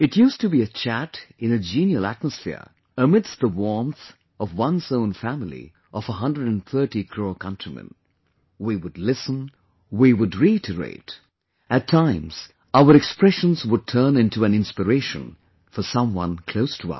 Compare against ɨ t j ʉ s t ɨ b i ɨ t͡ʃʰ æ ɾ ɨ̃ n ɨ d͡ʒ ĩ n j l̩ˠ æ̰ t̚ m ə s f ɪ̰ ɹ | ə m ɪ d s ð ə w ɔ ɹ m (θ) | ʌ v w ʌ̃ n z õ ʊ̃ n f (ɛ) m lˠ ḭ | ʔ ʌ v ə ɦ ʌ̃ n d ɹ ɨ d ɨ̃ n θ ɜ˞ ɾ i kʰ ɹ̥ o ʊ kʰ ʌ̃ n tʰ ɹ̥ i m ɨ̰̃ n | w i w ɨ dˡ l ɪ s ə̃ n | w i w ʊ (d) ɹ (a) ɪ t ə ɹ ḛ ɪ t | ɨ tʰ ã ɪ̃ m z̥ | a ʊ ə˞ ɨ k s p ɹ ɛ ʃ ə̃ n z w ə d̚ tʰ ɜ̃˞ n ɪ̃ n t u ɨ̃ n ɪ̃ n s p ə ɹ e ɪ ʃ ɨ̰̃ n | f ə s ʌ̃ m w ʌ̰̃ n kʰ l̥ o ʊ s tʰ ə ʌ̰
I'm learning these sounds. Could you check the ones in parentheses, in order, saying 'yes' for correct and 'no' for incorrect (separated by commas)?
yes, no, yes, no